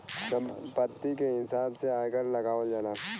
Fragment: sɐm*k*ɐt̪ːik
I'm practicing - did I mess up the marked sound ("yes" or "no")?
yes